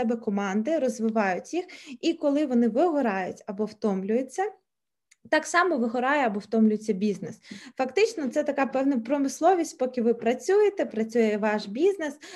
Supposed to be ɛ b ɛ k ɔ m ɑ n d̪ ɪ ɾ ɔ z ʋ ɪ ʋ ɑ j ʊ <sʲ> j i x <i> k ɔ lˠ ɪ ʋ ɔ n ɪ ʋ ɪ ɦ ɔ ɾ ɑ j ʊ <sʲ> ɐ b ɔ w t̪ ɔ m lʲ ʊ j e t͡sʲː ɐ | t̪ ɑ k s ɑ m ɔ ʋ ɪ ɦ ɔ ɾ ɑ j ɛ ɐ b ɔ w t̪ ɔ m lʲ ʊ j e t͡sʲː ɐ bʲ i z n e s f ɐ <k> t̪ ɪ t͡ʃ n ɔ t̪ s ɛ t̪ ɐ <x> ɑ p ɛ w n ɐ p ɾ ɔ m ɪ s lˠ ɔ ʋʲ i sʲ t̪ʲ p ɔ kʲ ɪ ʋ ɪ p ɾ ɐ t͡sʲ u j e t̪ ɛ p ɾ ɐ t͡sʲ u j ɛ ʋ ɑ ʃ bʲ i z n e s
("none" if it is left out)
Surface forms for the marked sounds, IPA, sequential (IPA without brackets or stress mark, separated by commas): tʲ, i, tʲ, k, k